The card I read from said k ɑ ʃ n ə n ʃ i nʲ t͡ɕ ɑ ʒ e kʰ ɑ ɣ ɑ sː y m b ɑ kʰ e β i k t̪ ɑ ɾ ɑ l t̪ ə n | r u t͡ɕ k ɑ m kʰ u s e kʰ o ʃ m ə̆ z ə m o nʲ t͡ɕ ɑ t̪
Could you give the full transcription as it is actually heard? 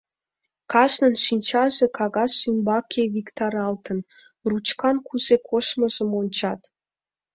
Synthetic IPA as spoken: k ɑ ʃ n ə n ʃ i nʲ t͡ɕ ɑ ʒ e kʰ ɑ ɣ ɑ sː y m b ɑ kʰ e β i k t̪ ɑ ɾ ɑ l t̪ ə n | r u t͡ɕ k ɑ n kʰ u z e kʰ o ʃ m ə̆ ʒ ə m o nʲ t͡ɕ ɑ t̪